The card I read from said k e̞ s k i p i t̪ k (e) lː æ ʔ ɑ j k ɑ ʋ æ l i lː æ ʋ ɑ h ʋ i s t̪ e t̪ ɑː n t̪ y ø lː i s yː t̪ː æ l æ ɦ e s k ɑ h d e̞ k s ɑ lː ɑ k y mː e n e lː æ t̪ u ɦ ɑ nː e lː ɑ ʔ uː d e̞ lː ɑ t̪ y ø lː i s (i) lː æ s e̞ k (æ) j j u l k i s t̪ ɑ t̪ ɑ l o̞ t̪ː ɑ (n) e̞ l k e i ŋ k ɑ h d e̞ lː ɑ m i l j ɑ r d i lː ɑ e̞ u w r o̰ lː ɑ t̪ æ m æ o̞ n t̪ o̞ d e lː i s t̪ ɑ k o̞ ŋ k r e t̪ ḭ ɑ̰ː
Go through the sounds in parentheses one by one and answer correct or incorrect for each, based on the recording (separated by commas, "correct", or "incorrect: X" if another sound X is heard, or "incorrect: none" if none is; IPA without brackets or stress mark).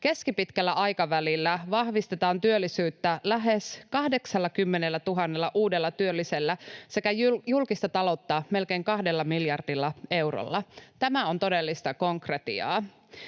incorrect: æ, incorrect: e, correct, incorrect: m